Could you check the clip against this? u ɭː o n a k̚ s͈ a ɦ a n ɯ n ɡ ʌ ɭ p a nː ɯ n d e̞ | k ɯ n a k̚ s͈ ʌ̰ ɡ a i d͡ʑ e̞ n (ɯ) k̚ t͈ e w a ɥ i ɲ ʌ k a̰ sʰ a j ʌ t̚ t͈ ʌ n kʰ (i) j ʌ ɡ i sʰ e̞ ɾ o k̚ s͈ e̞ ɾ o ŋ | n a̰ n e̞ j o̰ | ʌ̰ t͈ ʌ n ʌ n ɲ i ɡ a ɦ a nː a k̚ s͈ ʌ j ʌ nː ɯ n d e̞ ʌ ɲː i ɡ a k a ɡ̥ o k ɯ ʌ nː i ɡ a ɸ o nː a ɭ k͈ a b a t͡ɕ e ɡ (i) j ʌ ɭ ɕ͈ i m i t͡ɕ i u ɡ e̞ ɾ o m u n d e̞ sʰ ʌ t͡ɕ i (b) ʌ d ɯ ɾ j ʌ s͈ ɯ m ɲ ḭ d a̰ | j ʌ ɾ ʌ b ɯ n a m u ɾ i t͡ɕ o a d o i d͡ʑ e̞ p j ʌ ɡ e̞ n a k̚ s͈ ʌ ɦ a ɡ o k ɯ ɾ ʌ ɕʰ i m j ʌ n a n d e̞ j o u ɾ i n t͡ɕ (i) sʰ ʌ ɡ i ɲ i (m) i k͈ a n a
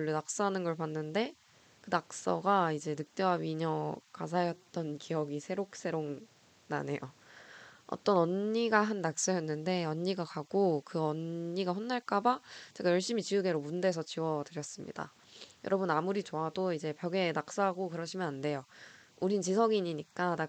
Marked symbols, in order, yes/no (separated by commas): yes, yes, no, no, yes, no